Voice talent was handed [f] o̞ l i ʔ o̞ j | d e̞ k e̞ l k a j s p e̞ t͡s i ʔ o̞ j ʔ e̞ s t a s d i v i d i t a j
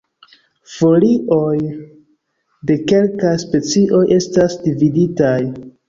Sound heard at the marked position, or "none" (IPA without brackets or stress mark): f